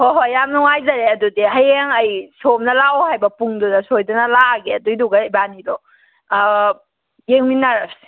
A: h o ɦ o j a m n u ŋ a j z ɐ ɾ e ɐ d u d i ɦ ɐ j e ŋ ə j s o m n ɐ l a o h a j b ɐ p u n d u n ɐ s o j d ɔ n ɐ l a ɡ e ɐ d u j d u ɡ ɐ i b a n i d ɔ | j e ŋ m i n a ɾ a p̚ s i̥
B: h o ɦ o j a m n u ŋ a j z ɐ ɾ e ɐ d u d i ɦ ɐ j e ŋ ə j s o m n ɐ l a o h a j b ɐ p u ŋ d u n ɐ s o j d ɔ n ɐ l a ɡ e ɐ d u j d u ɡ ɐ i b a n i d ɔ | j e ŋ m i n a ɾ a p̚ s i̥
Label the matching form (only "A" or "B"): B